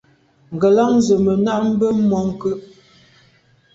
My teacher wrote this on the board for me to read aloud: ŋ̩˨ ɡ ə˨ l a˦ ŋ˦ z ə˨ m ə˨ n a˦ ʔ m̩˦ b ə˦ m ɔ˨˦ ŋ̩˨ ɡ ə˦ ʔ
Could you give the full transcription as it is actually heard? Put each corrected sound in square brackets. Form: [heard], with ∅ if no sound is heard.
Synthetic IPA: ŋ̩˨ ɡ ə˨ l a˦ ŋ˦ z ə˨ m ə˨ n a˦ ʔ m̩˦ b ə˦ m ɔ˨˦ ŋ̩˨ [k] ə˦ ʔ